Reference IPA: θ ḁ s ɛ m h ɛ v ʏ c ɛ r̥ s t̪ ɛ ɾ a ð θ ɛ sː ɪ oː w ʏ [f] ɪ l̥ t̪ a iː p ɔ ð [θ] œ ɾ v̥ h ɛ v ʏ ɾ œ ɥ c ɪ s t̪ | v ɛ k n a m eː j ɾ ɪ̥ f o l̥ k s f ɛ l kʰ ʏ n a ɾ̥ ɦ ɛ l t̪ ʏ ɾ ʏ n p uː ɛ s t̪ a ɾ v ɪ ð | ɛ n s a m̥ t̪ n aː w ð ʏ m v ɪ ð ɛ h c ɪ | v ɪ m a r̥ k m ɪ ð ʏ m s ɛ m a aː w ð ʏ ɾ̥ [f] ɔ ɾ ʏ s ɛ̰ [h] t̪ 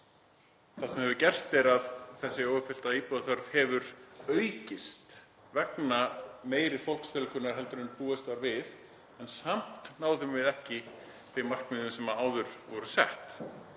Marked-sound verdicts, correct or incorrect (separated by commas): correct, correct, incorrect, correct